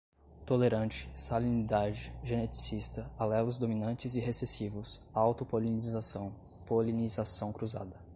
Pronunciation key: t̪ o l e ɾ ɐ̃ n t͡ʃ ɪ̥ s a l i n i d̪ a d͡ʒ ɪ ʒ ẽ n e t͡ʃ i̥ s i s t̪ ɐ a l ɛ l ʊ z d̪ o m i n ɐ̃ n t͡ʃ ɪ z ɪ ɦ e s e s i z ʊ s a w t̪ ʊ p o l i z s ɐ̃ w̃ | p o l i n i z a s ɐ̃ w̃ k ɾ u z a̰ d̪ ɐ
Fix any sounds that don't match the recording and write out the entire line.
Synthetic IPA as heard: t̪ o l e ɾ ɐ̃ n t͡ʃ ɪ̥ s a l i n i d̪ a d͡ʒ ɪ ʒ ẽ n e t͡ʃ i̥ s i s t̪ ɐ a l ɛ l ʊ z d̪ o m i n ɐ̃ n t͡ʃ ɪ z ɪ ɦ e s e s i v ʊ s a w t̪ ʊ p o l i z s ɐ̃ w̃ | p o l i n i z a s ɐ̃ w̃ k ɾ u z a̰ d̪ ɐ